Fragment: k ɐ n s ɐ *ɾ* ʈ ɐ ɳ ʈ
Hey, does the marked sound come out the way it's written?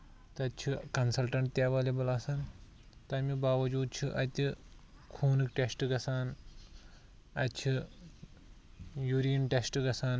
no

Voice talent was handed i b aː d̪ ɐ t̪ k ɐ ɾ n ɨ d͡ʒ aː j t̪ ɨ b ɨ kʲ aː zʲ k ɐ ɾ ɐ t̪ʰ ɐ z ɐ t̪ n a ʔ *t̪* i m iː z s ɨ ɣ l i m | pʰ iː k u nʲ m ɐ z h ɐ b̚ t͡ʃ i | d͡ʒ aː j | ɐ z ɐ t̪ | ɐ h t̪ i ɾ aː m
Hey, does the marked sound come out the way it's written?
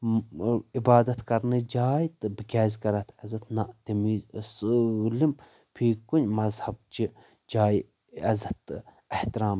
yes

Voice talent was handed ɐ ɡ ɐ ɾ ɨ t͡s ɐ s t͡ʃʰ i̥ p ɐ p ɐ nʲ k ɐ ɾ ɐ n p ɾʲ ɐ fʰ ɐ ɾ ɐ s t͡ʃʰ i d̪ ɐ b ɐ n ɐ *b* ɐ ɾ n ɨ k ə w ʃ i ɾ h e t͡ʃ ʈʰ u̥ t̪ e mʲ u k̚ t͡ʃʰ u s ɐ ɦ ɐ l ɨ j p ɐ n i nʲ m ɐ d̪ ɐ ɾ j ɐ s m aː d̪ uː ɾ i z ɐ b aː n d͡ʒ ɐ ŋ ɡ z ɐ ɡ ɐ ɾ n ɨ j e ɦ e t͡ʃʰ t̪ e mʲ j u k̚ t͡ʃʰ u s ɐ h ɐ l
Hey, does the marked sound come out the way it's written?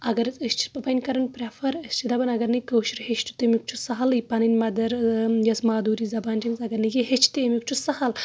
no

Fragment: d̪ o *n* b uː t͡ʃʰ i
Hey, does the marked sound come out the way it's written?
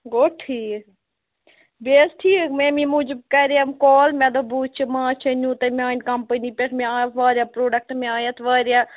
no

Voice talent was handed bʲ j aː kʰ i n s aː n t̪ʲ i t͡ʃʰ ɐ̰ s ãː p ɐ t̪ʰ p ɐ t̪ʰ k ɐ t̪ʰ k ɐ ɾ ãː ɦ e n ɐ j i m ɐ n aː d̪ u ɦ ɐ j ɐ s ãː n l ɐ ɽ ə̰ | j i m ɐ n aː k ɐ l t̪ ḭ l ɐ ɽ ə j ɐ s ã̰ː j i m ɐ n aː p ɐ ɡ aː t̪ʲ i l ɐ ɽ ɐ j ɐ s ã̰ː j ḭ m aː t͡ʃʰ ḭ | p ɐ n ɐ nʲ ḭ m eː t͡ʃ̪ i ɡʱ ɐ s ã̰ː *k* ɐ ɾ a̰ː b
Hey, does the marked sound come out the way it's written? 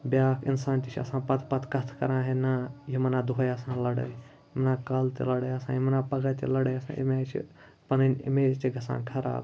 no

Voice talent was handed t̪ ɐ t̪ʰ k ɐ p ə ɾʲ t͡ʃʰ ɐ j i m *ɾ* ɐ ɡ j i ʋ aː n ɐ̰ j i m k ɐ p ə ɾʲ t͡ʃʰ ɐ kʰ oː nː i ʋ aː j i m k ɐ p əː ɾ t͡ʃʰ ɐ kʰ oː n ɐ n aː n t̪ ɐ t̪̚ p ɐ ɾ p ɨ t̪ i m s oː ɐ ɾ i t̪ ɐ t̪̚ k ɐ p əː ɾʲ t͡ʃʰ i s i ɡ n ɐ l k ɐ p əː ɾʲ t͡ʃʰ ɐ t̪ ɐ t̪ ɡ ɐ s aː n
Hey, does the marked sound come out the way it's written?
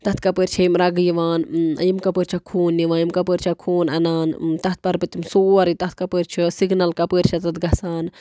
yes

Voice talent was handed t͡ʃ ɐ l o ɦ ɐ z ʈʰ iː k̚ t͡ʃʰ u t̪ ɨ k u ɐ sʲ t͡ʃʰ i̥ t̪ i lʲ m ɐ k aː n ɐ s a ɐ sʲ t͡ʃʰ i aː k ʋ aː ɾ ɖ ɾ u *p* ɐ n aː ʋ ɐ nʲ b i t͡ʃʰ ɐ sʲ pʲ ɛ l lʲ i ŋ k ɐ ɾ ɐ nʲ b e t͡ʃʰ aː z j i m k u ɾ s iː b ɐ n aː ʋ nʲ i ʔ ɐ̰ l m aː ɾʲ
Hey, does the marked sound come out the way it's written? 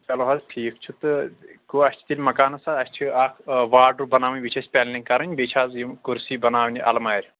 no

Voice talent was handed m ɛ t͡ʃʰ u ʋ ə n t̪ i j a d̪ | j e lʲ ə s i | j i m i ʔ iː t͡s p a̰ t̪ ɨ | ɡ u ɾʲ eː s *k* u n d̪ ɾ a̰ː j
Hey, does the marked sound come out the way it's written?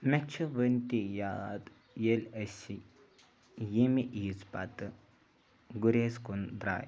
yes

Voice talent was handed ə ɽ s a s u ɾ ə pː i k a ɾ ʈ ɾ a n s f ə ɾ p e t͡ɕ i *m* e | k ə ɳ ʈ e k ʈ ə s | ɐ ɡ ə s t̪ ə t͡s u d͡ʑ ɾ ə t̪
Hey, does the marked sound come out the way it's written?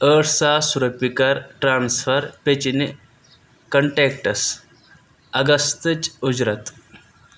no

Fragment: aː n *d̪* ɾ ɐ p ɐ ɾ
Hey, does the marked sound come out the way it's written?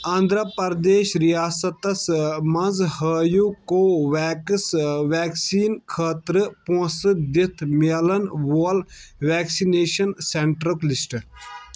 yes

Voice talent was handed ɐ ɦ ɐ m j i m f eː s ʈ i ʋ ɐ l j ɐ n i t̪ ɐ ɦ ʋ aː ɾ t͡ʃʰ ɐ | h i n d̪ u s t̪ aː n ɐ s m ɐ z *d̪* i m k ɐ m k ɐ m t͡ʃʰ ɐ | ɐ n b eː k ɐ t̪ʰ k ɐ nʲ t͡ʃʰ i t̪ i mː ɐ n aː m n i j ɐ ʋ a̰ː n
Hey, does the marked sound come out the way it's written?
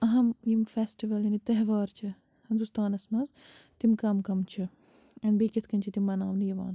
no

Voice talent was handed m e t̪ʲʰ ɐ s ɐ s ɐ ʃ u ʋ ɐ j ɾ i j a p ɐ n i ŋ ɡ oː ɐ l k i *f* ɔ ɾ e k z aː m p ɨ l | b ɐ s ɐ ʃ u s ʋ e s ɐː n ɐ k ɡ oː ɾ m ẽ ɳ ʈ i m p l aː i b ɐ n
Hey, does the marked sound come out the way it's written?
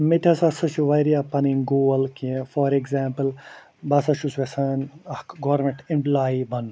yes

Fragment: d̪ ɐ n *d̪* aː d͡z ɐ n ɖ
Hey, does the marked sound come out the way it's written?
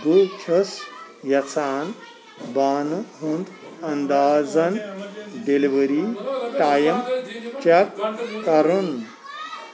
yes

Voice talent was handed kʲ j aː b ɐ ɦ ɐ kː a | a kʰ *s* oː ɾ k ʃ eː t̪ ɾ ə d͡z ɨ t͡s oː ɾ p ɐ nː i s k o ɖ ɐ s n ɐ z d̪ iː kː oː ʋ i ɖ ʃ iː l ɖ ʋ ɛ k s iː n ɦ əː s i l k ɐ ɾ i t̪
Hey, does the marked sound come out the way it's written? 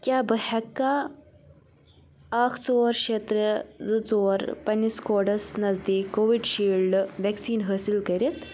no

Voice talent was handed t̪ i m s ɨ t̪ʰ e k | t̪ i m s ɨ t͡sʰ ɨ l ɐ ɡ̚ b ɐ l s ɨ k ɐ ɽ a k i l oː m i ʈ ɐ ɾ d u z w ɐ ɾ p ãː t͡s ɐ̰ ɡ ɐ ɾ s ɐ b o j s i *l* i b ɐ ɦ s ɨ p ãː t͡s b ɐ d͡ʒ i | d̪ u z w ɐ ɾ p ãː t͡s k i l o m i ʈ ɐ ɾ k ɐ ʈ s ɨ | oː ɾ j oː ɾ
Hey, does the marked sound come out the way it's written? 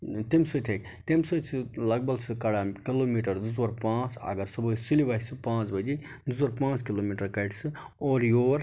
yes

